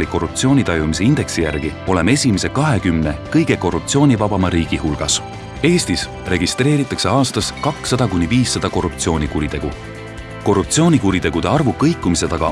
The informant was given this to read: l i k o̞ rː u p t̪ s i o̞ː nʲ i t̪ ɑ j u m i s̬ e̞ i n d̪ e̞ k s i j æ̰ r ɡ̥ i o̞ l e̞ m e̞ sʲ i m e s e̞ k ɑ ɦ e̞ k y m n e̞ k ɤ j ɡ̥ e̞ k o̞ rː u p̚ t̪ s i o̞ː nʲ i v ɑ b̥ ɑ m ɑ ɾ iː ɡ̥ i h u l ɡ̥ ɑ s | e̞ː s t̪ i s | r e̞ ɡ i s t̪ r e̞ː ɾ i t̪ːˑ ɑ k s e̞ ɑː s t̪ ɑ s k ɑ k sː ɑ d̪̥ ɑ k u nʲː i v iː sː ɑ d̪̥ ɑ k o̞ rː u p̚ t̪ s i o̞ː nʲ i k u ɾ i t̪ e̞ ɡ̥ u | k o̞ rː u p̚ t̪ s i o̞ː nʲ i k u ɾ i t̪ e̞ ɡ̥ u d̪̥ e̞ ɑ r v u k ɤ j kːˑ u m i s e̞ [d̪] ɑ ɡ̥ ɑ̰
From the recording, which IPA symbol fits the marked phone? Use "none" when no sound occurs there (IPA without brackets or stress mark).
t̪